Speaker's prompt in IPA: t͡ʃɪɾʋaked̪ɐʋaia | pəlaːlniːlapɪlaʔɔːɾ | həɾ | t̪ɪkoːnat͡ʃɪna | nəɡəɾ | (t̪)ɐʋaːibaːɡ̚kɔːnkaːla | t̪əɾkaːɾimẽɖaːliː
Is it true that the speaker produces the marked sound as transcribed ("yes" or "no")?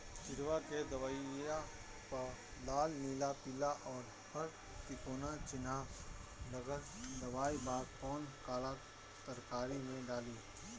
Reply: no